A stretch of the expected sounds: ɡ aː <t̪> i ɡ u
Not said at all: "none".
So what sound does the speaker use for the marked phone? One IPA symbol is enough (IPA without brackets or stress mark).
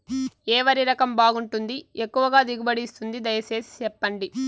d̪